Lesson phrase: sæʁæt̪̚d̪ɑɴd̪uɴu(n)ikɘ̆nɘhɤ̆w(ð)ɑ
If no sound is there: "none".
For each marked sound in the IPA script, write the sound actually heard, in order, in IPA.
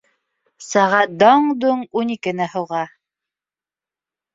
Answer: n, ʁ

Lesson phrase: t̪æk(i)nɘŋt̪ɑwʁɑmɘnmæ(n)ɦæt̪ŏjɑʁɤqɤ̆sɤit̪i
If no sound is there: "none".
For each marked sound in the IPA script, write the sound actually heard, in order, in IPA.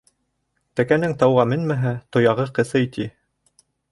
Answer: æ, none

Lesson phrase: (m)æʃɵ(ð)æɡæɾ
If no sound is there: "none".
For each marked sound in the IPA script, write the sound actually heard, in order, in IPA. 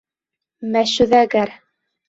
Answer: m, ð

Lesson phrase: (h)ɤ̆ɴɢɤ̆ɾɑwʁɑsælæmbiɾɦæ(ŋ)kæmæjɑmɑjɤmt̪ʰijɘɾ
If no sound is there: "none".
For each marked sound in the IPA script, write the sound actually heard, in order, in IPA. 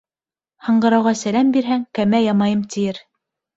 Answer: h, ŋ

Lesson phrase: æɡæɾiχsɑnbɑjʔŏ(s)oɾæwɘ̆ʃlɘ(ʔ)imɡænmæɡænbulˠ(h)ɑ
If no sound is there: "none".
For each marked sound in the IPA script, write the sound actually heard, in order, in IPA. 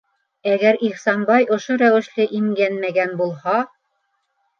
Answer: ʃ, ʔ, h

